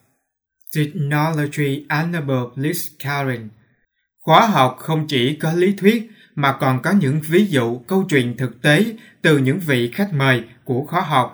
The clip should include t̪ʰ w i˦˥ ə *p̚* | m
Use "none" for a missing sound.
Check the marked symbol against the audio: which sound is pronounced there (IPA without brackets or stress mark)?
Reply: t̚